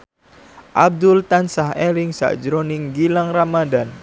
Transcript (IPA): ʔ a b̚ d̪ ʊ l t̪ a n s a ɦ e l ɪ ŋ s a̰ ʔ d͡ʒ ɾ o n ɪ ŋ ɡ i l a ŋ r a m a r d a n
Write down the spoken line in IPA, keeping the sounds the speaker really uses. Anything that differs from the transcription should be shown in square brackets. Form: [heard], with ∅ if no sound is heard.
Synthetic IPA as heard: ʔ a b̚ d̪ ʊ l t̪ a n s a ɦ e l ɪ ŋ s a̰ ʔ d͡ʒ ɾ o n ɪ ŋ ɡ i l a ŋ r a m a [∅] d a n